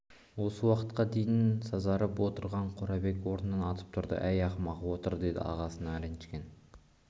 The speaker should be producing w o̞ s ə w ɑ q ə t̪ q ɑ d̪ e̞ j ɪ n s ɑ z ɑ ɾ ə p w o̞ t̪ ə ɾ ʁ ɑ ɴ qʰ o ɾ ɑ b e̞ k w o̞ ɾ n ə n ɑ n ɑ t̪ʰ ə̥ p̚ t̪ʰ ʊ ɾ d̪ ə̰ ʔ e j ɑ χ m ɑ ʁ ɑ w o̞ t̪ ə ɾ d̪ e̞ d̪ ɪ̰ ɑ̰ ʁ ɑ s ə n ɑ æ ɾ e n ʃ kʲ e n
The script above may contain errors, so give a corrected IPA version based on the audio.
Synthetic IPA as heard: w o̞ s ə w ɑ q ə t̪ q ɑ d̪ e̞ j ɪ n s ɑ z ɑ ɾ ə p w o̞ t̪ ə ɾ ʁ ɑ ɴ qʰ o ɾ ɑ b e̞ k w o̞ ɾ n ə n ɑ n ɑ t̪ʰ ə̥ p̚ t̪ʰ ʊ ɾ d̪ ə̰ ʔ æ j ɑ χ m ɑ ʁ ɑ w o̞ t̪ ə ɾ d̪ e̞ d̪ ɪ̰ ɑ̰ ʁ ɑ s ə n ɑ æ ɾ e n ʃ kʲ e n